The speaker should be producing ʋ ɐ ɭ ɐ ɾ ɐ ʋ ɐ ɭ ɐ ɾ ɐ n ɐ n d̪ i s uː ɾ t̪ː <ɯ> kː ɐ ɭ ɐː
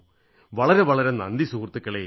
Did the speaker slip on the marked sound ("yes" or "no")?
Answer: no